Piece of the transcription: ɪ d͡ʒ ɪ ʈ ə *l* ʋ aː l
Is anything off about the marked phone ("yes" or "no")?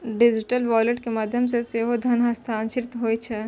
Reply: no